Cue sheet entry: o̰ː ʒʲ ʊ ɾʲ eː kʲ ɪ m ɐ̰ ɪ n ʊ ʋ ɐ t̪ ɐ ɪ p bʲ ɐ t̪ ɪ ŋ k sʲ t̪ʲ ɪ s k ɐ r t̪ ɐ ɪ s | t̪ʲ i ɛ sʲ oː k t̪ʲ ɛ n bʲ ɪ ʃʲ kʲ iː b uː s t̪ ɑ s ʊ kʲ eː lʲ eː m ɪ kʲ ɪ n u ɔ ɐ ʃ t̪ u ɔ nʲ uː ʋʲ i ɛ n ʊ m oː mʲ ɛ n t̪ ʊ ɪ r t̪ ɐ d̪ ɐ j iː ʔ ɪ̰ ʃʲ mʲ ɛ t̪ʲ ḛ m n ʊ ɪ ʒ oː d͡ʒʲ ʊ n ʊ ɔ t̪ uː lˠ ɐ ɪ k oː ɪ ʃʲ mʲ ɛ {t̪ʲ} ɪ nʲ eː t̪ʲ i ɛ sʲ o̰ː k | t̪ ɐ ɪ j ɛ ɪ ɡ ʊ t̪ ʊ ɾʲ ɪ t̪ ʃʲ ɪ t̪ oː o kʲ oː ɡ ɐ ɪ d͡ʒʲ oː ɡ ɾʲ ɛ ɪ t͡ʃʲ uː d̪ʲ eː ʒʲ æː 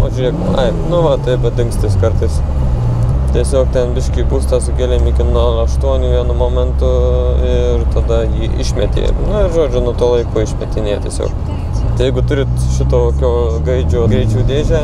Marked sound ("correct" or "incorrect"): correct